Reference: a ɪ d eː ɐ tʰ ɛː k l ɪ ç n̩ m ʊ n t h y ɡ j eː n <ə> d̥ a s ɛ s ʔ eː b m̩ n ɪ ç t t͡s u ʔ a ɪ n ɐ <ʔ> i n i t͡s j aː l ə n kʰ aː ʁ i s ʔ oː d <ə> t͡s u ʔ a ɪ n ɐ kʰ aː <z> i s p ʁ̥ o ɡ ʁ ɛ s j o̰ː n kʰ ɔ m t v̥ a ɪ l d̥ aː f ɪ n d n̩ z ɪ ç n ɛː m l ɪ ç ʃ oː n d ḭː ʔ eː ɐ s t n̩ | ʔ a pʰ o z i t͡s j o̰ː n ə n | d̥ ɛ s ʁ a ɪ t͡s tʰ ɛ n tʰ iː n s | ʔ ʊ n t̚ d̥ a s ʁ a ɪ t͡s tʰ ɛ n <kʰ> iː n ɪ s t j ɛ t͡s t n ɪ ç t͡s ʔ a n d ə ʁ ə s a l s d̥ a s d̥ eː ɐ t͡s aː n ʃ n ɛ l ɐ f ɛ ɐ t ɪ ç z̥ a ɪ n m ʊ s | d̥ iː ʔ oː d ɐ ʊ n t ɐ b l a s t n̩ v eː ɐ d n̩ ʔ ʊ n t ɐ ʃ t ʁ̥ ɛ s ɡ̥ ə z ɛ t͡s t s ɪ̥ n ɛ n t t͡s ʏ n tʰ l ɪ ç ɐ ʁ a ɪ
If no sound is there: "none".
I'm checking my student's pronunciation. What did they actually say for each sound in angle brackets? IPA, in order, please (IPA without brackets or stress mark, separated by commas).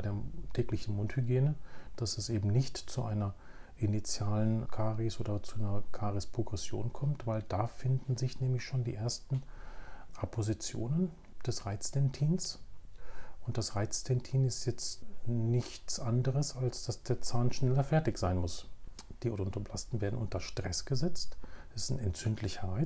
ə, ʔ, ɐ, ʁ, tʰ